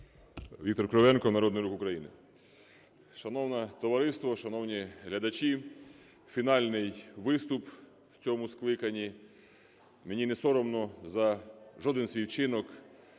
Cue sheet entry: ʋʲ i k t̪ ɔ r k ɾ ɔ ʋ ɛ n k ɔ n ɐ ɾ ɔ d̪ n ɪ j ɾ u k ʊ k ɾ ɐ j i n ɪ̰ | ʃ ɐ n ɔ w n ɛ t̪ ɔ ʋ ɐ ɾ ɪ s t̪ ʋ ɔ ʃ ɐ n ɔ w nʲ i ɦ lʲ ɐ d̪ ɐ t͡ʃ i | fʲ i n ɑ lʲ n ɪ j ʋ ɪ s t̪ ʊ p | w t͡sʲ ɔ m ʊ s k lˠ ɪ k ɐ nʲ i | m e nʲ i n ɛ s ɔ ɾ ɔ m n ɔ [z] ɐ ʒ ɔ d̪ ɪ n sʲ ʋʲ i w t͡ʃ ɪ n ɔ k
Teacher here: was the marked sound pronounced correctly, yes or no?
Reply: yes